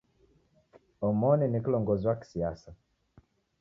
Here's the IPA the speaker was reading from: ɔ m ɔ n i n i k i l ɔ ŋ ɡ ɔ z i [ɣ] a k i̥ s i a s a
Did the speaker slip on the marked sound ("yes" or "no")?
yes